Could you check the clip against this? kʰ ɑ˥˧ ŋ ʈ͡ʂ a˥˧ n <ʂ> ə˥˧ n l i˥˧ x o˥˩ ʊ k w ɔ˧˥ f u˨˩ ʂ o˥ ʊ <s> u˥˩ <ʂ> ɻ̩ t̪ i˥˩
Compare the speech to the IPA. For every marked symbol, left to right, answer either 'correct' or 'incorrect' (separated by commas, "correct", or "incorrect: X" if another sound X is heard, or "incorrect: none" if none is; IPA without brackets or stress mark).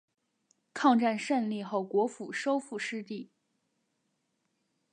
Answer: correct, incorrect: f, correct